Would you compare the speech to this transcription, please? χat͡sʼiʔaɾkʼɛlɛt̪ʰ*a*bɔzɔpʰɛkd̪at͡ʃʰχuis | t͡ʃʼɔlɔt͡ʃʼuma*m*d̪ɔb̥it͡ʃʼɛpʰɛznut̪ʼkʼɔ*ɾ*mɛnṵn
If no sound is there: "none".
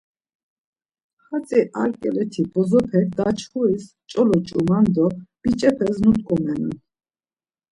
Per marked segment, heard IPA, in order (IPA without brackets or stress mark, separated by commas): i, n, none